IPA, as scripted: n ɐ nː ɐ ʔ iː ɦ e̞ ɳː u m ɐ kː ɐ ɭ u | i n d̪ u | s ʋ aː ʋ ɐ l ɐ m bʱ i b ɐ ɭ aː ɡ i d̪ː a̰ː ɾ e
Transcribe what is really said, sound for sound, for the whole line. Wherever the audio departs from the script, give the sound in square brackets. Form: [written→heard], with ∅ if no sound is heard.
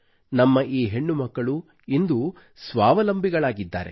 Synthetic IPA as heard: n ɐ [nː→mː] ɐ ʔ iː ɦ e̞ ɳː u m ɐ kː ɐ ɭ u | i n d̪ u | s ʋ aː ʋ ɐ l ɐ m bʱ i [b→ɡ] ɐ ɭ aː ɡ i d̪ː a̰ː ɾ e